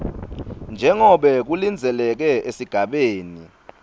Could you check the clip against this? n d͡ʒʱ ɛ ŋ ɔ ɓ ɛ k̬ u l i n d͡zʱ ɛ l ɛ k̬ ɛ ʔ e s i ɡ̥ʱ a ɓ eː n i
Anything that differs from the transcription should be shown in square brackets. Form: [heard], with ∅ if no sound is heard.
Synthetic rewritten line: n d͡ʒʱ ɛ ŋ ɔ ɓ ɛ k̬ u l i n d͡zʱ ɛ l ɛ k̬ ɛ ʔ e s i ɡ̥ʱ a ɓ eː n i